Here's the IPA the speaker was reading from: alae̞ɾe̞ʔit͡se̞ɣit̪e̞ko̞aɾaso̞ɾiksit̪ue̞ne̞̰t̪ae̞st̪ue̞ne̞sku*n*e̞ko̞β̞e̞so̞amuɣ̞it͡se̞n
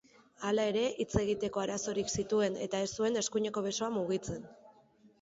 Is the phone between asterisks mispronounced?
yes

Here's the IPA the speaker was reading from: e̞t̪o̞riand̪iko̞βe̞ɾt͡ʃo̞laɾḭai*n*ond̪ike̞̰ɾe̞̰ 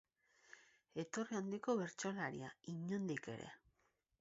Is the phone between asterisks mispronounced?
yes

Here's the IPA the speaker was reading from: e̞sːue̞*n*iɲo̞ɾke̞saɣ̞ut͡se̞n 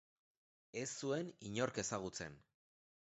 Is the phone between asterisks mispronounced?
no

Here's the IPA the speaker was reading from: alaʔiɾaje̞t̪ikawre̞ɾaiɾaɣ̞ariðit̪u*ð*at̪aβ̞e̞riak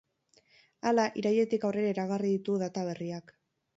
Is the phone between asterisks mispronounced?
no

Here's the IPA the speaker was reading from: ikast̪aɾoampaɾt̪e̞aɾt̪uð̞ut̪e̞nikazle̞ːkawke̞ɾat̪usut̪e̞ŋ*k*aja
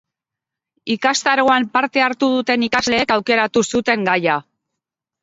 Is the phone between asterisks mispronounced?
yes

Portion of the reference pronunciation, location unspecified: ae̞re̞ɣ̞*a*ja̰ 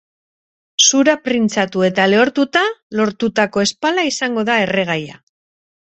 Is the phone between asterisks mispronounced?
no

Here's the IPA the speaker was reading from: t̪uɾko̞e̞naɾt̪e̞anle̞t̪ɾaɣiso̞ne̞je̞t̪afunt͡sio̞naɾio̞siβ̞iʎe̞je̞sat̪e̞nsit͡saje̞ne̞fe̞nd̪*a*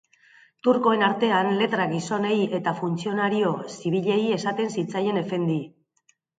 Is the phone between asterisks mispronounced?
yes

